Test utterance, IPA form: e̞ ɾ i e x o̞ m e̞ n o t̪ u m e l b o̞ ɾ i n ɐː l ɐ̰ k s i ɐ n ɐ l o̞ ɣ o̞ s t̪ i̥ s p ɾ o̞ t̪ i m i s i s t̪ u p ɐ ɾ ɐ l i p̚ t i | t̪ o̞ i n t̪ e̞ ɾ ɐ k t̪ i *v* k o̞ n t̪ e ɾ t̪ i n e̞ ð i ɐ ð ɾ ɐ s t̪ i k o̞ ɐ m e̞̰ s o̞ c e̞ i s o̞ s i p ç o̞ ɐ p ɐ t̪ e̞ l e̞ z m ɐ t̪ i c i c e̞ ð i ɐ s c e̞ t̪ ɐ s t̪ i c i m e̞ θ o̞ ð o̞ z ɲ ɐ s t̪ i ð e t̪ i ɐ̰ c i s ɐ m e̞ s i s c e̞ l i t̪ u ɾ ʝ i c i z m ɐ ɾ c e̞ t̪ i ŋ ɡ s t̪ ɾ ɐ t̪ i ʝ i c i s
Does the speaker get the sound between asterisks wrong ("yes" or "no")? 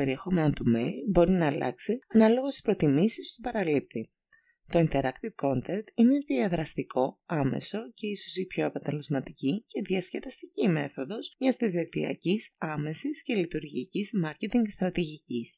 no